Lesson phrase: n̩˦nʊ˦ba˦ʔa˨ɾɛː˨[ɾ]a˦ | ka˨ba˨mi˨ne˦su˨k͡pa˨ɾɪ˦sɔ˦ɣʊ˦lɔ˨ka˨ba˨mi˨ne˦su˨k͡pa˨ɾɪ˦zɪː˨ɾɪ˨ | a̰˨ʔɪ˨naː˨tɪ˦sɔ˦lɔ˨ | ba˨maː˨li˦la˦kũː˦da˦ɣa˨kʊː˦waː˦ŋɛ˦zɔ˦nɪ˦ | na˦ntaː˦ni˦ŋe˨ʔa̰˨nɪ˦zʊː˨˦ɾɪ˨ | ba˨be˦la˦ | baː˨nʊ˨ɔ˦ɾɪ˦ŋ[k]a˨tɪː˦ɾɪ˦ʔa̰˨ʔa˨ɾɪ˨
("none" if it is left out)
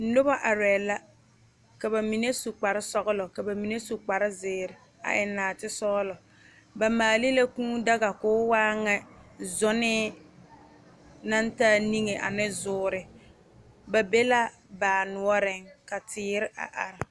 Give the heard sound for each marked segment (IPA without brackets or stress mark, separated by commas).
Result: l, k